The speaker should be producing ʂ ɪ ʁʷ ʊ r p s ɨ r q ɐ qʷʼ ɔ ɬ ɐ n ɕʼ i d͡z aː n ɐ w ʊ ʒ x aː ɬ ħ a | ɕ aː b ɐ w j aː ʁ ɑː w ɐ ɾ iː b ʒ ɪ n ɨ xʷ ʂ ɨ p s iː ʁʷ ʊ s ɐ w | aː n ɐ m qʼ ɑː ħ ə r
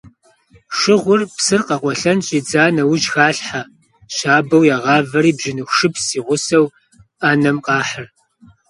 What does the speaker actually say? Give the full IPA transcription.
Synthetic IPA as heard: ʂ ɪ ʁʷ ʊ r p s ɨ r q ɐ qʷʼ ɔ ɬ ɐ n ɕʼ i d͡z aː n ɐ w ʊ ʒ x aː ɬ ħ a | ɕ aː b ɐ w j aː ʁ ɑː v ɐ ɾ iː b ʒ ɪ n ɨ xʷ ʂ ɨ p s iː ʁʷ ʊ s ɐ w | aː n ɐ m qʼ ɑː ħ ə r

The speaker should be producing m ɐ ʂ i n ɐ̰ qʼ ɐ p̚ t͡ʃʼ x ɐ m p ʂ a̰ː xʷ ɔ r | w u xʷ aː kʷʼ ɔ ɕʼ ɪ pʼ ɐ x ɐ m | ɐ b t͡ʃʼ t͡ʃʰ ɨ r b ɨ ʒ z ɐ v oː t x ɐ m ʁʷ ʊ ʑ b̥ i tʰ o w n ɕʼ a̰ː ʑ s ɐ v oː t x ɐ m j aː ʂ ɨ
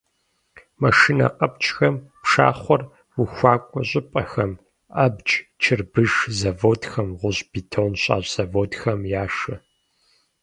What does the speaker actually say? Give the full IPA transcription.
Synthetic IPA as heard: m ɐ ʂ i n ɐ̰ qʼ ɐ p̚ t͡ʃʼ x ɐ m p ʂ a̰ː χʷ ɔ r | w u xʷ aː kʷʼ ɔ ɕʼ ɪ pʼ ɐ x ɐ m | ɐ b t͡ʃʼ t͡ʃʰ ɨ r b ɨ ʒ z ɐ v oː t x ɐ m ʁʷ ʊ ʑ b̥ i tʰ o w n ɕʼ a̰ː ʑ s ɐ v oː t x ɐ m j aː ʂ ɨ

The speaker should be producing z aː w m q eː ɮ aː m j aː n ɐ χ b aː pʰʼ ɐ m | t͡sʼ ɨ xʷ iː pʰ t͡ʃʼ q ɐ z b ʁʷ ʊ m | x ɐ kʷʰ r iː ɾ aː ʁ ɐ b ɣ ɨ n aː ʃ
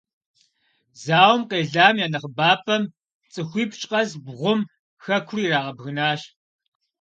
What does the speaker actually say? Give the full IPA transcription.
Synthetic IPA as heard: z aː w m q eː ɮ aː m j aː n ɐ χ b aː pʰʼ ɐ m | t͡sʼ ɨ xʷ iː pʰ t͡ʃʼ q ɐ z b ʁʷ ʊ m | x ɐ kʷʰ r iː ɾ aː ʁ ɐ b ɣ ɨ n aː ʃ

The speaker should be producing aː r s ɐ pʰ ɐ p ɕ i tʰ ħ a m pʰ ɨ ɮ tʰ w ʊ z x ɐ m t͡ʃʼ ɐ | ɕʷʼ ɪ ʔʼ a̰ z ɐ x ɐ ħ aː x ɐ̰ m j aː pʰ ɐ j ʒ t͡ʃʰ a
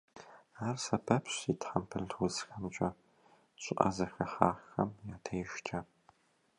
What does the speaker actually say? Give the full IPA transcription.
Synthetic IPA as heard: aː r s ɐ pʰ ɐ p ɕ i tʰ ħ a m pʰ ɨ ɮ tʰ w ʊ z x ɐ m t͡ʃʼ ɐ | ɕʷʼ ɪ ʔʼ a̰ z ɐ x ɐ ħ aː x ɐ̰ m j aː tʰ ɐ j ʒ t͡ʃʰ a

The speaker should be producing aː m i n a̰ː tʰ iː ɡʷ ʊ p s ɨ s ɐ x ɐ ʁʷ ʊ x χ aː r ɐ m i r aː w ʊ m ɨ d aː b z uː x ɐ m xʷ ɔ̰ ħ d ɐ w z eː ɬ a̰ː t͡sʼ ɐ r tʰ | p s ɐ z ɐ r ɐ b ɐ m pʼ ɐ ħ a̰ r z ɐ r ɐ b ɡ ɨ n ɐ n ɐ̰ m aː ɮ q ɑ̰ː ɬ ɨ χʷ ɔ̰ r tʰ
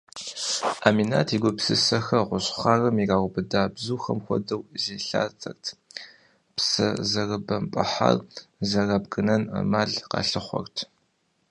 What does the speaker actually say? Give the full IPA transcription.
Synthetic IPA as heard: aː m i n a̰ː tʰ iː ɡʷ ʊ p s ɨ s ɐ x ɐ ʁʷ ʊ ɕ χ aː r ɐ m i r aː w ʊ b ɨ d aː b z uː x ɐ m xʷ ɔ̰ d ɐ w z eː ɬ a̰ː t͡sʼ ɐ r tʰ | p s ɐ z ɐ r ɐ b ɐ m pʼ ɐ ħ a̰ r z ɐ r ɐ b ɡ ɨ n ɐ n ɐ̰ m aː ɮ q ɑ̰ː ɬ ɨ χʷ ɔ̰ r tʰ

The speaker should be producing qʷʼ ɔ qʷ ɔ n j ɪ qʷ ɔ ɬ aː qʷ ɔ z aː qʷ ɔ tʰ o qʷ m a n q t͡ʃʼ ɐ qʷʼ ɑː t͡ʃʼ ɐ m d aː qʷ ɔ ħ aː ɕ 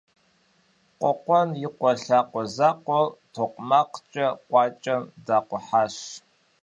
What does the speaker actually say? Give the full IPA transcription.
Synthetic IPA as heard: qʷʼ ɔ qʷ ɔ n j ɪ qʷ ɔ ɬ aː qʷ ɔ z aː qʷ ɔ tʰ o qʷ m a q t͡ʃʼ ɐ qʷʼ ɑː t͡ʃʼ ɐ m d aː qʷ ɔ ħ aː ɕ

